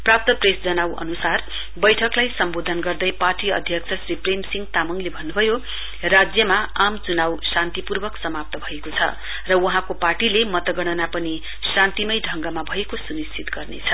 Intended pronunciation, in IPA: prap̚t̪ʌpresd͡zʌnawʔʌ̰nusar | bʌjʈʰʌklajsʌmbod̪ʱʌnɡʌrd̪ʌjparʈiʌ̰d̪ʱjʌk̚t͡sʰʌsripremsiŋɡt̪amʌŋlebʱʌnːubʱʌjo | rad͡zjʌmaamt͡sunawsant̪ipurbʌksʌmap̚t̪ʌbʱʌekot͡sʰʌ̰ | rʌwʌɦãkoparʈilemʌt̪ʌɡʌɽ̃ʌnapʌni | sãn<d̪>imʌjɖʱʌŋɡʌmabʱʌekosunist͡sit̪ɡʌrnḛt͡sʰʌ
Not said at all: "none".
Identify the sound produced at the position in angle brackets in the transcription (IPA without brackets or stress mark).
t̪